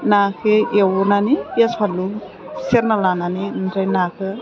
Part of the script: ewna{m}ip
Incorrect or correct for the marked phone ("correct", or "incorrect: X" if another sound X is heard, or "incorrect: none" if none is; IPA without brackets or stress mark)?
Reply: incorrect: n